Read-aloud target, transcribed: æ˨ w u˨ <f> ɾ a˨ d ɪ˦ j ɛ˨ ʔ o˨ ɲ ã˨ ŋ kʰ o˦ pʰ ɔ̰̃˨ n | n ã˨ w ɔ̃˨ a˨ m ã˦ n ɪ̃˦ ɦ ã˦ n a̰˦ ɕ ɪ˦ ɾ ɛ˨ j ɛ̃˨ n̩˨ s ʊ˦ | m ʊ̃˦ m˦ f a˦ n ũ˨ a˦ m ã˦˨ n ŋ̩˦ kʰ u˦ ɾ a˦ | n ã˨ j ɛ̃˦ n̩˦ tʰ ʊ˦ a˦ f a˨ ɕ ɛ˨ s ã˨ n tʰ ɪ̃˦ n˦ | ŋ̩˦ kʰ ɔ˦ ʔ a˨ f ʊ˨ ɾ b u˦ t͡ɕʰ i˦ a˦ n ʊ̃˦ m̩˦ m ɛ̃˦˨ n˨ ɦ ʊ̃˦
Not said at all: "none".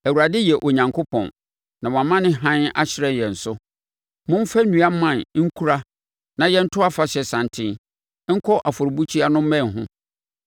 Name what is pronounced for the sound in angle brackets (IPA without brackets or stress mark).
none